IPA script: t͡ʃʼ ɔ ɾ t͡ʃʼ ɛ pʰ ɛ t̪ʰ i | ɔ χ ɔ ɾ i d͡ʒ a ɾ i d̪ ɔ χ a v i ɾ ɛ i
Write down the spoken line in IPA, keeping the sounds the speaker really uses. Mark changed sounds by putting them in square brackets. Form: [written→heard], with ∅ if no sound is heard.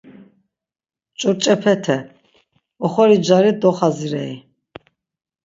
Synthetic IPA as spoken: t͡ʃʼ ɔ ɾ t͡ʃʼ ɛ pʰ ɛ t̪ʰ [i→ɛ] | ɔ χ ɔ ɾ i d͡ʒ a ɾ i d̪ ɔ χ a [v→z] i ɾ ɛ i